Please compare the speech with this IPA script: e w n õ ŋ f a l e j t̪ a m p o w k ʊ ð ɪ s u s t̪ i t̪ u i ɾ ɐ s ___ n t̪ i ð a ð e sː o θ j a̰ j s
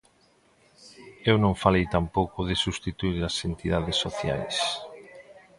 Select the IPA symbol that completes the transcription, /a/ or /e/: e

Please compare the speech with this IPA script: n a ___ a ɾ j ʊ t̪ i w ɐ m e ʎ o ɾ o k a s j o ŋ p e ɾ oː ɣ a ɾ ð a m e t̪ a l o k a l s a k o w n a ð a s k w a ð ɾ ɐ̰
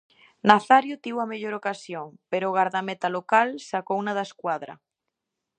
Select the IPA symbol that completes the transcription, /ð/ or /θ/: θ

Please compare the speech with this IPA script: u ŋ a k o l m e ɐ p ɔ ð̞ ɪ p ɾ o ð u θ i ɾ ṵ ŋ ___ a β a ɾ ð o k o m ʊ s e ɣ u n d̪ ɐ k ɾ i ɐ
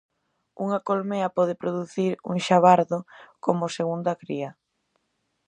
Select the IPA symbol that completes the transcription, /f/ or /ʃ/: ʃ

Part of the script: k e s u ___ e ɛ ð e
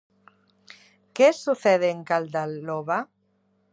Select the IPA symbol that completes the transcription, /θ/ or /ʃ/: θ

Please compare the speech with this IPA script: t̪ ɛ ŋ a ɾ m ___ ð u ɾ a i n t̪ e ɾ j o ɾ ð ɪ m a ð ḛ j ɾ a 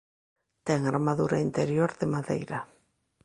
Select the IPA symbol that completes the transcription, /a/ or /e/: a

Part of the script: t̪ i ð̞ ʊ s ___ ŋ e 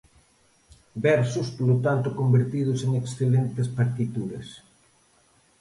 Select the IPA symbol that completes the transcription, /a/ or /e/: e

